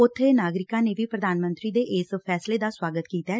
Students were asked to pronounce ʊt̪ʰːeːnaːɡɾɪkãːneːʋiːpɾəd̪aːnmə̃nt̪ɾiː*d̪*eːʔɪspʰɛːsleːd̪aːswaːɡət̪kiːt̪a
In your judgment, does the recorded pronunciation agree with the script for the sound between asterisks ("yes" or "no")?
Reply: yes